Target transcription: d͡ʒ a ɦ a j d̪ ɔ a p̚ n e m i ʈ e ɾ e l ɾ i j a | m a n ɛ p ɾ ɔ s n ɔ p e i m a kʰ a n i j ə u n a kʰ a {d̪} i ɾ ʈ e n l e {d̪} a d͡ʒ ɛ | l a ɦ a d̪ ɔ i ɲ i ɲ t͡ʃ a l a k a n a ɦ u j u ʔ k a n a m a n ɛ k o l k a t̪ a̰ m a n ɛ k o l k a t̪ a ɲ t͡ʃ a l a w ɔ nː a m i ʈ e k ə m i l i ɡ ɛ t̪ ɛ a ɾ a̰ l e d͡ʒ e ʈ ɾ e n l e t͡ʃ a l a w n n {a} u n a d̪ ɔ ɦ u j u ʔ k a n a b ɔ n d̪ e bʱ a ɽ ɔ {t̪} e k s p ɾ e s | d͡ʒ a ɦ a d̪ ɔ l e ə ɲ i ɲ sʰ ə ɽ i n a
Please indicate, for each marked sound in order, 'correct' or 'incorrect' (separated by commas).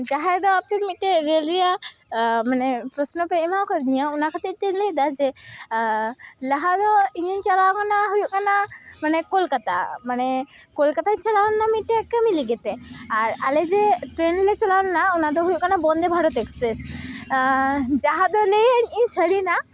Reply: incorrect, correct, correct, correct